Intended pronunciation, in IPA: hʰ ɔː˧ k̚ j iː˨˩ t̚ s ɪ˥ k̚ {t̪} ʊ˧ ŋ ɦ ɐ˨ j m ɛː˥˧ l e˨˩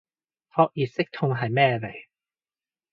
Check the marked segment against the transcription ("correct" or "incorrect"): incorrect